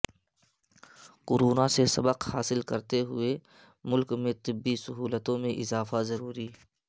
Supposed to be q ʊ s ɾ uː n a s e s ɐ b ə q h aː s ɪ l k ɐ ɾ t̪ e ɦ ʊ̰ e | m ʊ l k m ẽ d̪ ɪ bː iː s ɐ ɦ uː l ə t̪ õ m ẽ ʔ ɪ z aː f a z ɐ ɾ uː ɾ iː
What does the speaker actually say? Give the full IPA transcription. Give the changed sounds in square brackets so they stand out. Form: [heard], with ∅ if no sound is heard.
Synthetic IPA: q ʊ [∅] ɾ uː n a s e s ɐ b ə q h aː s ɪ l k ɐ ɾ t̪ e ɦ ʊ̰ e | m ʊ l k m ẽ [t̪] ɪ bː [i] s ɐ ɦ uː l ə t̪ õ m ẽ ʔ ɪ z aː f a z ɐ ɾ uː ɾ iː